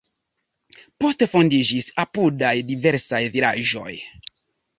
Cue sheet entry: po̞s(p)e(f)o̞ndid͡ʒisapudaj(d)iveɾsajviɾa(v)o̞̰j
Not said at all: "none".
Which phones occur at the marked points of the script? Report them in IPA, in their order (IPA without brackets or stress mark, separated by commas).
t, f, d, ʒ